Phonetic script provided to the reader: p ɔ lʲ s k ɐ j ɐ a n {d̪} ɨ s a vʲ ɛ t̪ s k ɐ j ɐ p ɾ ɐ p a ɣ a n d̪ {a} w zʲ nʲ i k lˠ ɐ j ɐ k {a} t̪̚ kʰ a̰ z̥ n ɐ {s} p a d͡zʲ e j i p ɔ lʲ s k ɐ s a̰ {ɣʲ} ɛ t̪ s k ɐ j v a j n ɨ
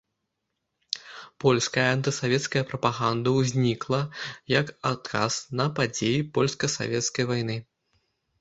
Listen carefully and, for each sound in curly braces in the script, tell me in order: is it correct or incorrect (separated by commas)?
incorrect, incorrect, correct, incorrect, incorrect